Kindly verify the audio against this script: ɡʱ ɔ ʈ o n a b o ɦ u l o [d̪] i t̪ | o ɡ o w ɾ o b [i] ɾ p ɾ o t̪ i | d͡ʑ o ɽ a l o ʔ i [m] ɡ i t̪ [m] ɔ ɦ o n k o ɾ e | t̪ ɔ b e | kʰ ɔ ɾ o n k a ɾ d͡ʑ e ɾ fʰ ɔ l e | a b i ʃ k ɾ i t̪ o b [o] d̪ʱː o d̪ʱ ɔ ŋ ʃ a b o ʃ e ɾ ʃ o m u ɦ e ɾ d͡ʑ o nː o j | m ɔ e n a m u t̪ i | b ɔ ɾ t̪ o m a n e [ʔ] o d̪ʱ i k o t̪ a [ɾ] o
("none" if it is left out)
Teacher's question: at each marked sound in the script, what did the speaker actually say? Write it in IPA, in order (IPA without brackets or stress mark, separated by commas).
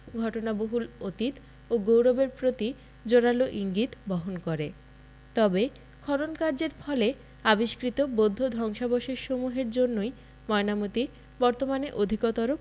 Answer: t̪, e, ŋ, b, o, ʔ, ɾ